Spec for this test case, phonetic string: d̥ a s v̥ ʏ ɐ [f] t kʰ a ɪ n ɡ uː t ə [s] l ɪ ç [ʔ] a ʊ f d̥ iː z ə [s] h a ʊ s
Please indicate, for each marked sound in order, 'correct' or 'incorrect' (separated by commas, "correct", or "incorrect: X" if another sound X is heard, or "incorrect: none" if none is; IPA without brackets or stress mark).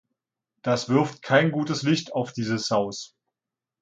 correct, correct, incorrect: t, correct